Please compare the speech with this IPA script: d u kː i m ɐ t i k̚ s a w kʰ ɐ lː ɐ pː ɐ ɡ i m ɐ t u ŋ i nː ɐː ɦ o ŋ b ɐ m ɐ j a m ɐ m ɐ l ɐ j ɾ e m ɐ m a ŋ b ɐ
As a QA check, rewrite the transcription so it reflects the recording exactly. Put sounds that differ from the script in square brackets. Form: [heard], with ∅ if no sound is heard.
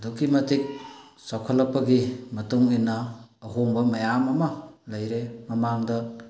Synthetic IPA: d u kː i m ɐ t i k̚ s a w kʰ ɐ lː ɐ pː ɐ ɡ i m ɐ t u ŋ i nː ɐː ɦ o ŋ b ɐ m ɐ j a m ɐ m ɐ l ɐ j ɾ e m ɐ m a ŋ [d] ɐ